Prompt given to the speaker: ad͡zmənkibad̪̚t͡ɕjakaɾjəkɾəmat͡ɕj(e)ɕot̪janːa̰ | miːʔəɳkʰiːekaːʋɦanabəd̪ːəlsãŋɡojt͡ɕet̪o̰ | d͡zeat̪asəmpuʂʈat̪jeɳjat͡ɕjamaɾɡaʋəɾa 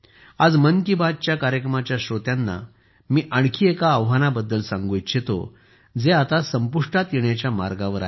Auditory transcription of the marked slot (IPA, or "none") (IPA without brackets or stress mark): a